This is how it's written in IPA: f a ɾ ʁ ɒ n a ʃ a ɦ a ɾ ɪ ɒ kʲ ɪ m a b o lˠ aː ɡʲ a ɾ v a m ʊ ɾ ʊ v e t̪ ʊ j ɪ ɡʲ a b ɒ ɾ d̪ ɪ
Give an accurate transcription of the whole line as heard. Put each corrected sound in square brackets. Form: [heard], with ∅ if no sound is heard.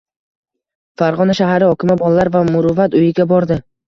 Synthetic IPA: f a ɾ ʁ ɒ n a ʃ a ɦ a ɾ ɪ ɒ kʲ ɪ m a b [ɒ] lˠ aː [∅] a ɾ v a m ʊ ɾ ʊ v [a] t̪ ʊ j ɪ ɡʲ a b ɒ ɾ d̪ ɪ